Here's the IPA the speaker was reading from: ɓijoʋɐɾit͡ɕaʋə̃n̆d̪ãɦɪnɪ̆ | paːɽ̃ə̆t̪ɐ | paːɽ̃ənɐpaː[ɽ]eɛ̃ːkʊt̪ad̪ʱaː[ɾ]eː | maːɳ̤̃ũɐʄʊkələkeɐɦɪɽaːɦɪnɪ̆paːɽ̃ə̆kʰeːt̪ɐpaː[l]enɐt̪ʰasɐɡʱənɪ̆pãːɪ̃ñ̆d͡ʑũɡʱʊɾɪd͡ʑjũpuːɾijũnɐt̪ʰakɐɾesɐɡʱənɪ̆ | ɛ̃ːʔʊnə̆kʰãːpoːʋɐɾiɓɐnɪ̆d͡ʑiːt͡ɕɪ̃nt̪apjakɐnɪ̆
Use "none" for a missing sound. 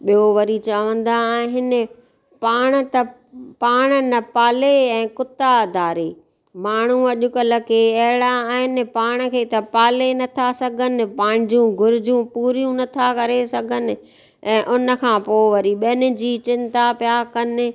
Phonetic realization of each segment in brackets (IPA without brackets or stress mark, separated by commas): l, ɾ, l